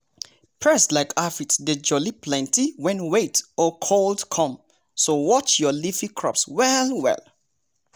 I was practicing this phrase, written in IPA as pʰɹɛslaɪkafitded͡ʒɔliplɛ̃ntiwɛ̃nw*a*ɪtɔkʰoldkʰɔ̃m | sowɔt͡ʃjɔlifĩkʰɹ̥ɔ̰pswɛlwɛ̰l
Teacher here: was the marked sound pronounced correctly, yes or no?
no